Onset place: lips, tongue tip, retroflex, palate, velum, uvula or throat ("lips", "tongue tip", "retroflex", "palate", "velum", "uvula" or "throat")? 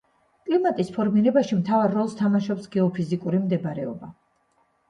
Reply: velum